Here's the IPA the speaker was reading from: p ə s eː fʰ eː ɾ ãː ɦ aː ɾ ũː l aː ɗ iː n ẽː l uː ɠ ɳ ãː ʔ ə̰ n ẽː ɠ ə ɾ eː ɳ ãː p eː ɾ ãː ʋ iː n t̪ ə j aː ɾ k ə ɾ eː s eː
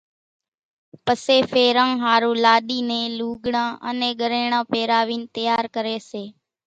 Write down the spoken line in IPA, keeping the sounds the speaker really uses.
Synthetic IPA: p ə s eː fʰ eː ɾ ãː ɦ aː ɾ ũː l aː ɗ iː n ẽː l uː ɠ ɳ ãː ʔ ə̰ n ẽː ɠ ə ɾ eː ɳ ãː p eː ɾ aː ʋ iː n t̪ ə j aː ɾ k ə ɾ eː s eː